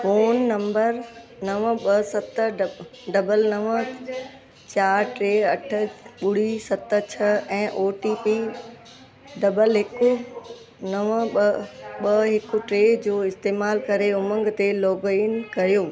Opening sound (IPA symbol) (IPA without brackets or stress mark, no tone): f